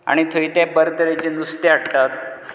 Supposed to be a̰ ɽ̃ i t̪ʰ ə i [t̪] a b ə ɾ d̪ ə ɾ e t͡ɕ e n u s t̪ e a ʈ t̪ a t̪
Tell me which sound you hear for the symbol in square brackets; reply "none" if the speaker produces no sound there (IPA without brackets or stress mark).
t̪